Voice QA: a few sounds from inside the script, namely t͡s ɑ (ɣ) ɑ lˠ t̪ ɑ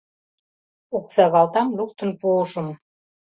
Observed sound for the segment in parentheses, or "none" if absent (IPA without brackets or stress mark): ɣ